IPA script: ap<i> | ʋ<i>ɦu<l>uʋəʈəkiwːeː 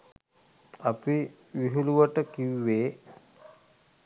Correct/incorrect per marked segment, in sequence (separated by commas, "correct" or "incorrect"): correct, correct, correct